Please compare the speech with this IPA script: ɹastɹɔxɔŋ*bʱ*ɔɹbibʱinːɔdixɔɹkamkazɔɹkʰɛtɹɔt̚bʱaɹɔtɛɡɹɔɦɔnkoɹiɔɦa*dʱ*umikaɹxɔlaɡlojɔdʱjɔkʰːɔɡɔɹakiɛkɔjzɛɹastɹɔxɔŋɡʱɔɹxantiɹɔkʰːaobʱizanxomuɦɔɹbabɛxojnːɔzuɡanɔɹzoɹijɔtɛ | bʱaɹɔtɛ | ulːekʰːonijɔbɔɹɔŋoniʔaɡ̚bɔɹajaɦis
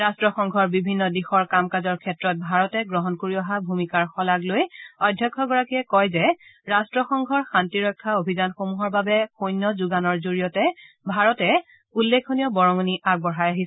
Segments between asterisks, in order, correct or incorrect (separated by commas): incorrect, incorrect